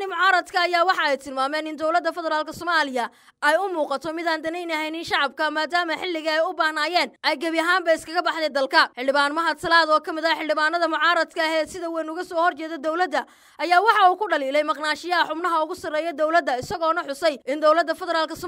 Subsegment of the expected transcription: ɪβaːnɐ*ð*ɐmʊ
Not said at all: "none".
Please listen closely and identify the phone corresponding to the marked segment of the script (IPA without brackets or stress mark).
ð